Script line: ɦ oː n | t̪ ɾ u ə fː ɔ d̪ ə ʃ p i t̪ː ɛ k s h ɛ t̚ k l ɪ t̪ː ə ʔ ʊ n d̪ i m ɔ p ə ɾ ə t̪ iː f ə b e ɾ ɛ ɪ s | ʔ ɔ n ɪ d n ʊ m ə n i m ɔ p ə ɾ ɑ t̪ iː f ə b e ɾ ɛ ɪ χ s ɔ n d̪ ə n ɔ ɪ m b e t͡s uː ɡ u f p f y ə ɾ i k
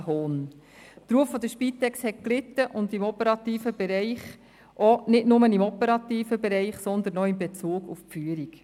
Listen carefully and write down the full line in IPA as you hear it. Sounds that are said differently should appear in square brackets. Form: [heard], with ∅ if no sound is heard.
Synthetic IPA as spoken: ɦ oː n | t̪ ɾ u ə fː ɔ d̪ ə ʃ p i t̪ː ɛ k s h ɛ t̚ k l ɪ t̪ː ə ʔ ʊ n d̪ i m ɔ p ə ɾ [ɑ] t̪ iː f ə b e ɾ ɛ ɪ [χ] | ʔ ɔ n ɪ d n ʊ m ə n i m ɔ p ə ɾ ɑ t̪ iː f ə b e ɾ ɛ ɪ χ s ɔ n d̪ ə n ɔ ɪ m b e t͡s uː ɡ u f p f y ə ɾ i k